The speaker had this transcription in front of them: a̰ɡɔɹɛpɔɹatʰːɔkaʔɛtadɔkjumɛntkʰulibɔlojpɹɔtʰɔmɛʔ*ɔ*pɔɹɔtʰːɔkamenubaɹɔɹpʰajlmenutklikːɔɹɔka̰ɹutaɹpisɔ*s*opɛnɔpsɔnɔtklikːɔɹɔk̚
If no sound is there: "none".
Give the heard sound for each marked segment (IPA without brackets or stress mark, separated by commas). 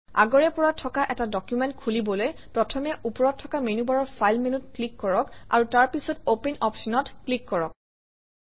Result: u, t